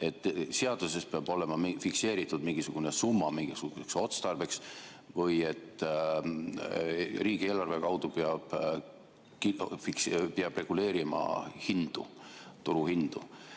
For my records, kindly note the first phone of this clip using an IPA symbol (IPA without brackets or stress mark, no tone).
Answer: e̞